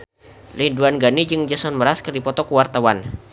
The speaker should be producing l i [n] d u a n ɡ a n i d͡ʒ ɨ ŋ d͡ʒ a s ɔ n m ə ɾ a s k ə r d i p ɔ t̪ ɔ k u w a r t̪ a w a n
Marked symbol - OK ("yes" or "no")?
yes